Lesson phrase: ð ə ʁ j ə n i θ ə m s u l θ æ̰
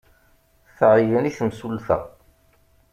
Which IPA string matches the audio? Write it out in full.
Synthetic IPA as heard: θ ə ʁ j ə n i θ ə m s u l θ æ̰